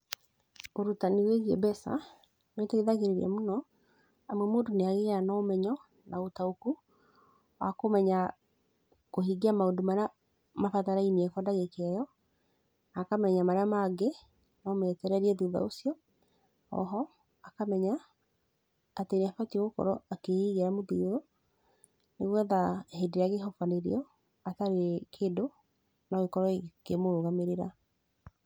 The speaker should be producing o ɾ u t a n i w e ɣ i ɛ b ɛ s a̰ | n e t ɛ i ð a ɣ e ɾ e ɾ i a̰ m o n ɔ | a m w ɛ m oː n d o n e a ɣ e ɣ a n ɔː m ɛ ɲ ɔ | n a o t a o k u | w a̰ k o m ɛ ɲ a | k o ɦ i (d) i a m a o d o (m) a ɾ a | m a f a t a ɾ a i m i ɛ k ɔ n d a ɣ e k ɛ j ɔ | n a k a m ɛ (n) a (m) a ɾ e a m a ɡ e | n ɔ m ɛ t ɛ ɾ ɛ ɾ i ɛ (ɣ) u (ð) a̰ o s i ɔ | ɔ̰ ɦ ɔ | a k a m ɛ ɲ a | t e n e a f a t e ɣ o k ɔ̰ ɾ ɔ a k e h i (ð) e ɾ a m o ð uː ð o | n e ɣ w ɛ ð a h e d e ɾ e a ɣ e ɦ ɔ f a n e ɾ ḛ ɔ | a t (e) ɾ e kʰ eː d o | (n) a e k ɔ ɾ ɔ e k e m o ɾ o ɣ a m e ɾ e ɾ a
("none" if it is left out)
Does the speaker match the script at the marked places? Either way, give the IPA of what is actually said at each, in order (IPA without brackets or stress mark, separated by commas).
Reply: ɡ, m, ɲ, m, ð, ð, ɣ, a, n